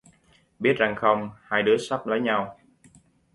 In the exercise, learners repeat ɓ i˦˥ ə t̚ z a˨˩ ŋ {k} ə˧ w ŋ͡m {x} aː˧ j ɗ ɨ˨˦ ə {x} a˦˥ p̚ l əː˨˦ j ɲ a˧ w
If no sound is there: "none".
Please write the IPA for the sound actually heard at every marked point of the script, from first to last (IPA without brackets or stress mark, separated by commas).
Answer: x, h, s